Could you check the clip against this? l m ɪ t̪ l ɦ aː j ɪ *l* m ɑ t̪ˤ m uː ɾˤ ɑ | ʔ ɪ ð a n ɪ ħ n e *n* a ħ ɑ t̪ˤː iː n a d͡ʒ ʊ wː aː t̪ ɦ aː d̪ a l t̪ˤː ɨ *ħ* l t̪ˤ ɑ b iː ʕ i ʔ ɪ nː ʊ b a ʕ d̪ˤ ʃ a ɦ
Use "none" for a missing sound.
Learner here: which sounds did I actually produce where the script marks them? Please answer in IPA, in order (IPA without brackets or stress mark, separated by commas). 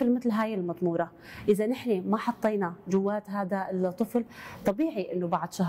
l, m, f